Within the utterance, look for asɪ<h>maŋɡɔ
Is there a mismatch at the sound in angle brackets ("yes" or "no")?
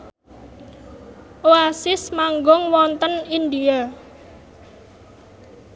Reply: yes